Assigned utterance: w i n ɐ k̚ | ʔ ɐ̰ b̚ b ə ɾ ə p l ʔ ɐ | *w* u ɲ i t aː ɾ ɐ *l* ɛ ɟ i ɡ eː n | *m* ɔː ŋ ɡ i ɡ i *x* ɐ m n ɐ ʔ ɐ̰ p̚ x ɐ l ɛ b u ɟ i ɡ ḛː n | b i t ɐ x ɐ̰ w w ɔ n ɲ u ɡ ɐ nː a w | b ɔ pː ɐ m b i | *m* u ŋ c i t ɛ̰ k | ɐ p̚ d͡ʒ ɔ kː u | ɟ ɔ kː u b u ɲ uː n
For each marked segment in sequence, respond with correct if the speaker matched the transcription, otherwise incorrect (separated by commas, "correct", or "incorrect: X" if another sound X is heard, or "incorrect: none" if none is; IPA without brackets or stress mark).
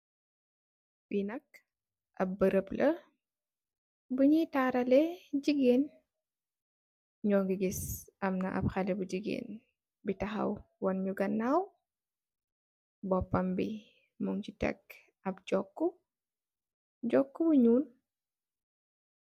incorrect: b, correct, incorrect: ɲ, incorrect: s, correct